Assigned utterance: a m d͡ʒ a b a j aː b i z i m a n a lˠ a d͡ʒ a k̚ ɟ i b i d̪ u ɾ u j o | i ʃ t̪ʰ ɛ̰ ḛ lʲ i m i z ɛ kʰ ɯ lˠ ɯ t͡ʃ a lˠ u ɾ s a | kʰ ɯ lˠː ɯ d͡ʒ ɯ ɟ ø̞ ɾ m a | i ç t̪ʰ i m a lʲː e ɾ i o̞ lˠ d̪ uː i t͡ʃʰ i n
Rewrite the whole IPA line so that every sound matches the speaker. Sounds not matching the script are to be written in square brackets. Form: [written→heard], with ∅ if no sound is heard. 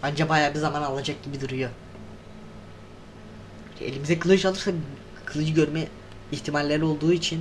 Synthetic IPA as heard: a [m→n] d͡ʒ a b a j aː b i z [i→a] m a n a lˠ a d͡ʒ a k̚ ɟ i b i d̪ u ɾ u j o | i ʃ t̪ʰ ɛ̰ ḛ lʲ i m i z ɛ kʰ ɯ lˠ ɯ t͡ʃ a lˠ [u→ɯ] ɾ s a | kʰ ɯ [lˠː→lˠ] ɯ d͡ʒ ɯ ɟ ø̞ ɾ m [a→ɛ] | i ç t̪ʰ i m a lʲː e ɾ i o̞ lˠ d̪ uː i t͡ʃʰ i n

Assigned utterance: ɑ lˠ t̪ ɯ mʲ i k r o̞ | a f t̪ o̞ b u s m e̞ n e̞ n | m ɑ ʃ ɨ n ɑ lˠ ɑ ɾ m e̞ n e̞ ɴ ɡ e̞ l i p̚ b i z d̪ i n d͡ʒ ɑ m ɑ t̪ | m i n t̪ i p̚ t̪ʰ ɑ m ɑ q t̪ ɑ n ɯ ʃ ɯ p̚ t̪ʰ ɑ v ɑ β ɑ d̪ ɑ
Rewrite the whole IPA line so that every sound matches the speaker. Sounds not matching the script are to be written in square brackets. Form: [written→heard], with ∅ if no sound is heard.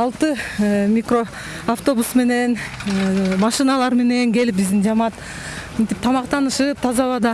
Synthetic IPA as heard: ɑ lˠ t̪ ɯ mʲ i k r o̞ | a f t̪ o̞ b u s m e̞ n e̞ n | m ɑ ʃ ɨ n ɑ lˠ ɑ ɾ m e̞ n e̞ [ɴ→ŋ] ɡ e̞ l i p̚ b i z d̪ i n d͡ʒ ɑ m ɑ t̪ | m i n t̪ i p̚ t̪ʰ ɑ m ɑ q t̪ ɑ n ɯ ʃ ɯ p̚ t̪ʰ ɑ [v→z] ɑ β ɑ d̪ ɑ

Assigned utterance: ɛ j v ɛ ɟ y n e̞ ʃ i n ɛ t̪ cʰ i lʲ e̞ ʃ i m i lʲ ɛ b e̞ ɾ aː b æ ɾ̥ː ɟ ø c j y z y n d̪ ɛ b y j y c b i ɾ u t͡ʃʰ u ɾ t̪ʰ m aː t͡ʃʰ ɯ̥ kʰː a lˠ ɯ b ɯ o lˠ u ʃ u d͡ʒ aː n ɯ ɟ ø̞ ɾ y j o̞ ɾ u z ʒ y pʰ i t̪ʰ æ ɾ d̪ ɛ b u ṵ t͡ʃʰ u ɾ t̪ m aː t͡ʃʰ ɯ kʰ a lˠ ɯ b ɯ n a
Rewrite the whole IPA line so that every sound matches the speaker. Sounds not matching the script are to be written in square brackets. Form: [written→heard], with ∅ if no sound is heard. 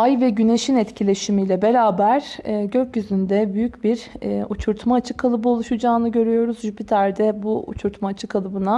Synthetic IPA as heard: [ɛ→a] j v ɛ ɟ y n e̞ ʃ i n ɛ t̪ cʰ i lʲ e̞ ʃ i m i lʲ ɛ b e̞ ɾ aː b æ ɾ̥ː ɟ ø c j y z y n d̪ ɛ b y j y c b i ɾ u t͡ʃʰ u ɾ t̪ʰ m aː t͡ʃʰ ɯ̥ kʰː a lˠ ɯ b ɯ o lˠ u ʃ u d͡ʒ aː n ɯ ɟ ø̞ ɾ y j o̞ ɾ u z ʒ y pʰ i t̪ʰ æ ɾ d̪ ɛ b u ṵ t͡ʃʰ u ɾ t̪ m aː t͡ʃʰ ɯ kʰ a lˠ ɯ b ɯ n a

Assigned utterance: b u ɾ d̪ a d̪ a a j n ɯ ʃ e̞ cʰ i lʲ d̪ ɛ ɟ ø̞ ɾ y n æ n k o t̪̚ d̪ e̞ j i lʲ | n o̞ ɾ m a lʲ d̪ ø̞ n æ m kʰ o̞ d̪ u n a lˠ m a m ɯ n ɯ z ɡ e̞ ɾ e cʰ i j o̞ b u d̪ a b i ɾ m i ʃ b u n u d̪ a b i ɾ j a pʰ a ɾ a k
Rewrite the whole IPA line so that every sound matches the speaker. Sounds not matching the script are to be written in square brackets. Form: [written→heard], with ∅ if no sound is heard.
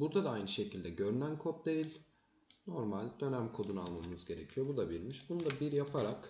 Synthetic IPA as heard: b u ɾ d̪ a d̪ a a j n ɯ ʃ e̞ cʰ i lʲ d̪ ɛ ɟ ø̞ ɾ y n æ n [k→kʰ] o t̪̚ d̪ e̞ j i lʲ | n o̞ ɾ m a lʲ d̪ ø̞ n æ m kʰ o̞ d̪ u n a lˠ m a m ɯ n ɯ z [ɡ→ɟ] e̞ ɾ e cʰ i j o̞ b u d̪ a b i ɾ m i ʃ b u n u d̪ a b i ɾ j a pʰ a ɾ a k

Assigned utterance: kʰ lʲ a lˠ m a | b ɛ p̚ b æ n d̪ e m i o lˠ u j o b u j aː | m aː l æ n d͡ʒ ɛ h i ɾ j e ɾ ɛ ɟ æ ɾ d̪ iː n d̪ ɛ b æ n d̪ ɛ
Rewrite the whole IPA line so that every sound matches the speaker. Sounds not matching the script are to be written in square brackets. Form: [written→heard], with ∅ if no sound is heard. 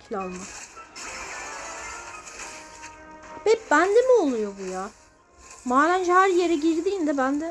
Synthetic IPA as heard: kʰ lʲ a lˠ m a | b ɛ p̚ b æ n d̪ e m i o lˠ u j o b u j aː | m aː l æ n d͡ʒ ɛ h [i→æ] ɾ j e ɾ ɛ ɟ [æ→i] ɾ d̪ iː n d̪ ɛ b æ n d̪ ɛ

